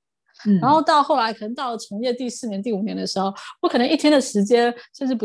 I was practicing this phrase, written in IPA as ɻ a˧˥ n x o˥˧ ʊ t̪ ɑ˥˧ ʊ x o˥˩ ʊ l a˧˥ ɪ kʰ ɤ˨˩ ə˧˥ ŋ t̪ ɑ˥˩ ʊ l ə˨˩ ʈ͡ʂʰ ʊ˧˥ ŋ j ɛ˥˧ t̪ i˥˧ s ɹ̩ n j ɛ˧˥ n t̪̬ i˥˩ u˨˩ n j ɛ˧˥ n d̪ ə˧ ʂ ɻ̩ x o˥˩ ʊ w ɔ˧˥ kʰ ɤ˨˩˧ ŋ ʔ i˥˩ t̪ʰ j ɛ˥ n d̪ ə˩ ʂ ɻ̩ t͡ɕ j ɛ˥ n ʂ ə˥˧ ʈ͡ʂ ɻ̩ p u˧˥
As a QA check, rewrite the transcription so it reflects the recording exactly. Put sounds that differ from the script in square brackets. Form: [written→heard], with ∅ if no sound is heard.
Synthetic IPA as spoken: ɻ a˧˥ n x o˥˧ ʊ t̪ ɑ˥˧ ʊ x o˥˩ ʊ l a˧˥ ɪ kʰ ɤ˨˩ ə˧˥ ŋ t̪ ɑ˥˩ ʊ l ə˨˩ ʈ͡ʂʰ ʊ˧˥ ŋ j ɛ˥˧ t̪ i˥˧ s ɹ̩ n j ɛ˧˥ n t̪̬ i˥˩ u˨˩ n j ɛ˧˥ n d̪ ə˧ ʂ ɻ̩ x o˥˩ ʊ w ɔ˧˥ kʰ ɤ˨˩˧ ŋ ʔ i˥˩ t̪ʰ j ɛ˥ n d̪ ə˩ ʂ ɻ̩ t͡ɕ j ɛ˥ n ʂ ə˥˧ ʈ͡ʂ ɻ̩ p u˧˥